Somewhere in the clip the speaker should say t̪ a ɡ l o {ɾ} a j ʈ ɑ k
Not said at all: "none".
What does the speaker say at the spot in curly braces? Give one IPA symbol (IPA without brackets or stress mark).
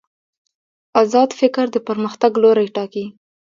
ɾ